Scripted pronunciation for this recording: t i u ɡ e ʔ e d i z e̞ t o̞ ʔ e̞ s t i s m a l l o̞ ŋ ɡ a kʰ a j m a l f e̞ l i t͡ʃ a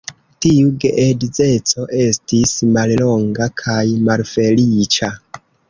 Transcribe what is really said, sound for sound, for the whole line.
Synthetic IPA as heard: t i u ɡ e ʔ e d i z e̞ t͡s o̞ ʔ e̞ s t i s m a l l o̞ ŋ ɡ a kʰ a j m a l f e̞ l i t͡ʃ a